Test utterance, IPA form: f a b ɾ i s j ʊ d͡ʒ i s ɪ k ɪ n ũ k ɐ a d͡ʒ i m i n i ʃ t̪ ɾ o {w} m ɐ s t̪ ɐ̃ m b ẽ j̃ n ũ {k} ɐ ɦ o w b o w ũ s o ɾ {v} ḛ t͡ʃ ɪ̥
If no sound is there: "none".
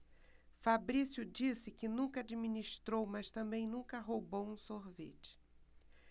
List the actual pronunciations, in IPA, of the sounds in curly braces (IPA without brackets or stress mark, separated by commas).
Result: w, k, v